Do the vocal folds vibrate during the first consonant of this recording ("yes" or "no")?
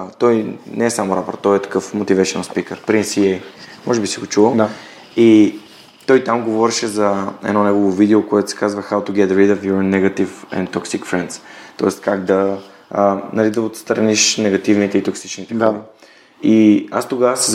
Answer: no